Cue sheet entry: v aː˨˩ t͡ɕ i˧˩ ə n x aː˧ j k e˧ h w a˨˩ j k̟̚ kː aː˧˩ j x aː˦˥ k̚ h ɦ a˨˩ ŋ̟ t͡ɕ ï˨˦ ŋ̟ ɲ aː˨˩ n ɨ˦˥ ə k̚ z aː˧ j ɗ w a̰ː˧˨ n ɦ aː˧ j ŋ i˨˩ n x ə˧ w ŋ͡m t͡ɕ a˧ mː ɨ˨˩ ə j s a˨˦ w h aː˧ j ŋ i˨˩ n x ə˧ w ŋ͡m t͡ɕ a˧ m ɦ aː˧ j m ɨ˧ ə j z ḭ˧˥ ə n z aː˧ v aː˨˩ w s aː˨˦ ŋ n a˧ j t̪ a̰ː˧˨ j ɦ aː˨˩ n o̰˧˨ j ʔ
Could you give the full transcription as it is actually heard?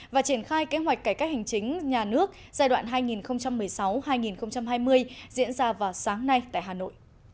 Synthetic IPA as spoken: v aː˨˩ t͡ɕ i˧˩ ə n x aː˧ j k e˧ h w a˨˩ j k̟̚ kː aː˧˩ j k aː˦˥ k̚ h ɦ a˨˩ ŋ̟ t͡ɕ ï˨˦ ŋ̟ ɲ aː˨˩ n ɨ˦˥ ə k̚ z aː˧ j ɗ w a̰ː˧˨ n ɦ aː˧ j ŋ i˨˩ n x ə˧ w ŋ͡m t͡ɕ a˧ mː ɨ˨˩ ə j s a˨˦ w h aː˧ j ŋ i˨˩ n x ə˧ w ŋ͡m t͡ɕ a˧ m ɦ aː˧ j m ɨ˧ ə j z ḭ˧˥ ə n z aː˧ v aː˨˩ w s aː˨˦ ŋ n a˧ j t̪ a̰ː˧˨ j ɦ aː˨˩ n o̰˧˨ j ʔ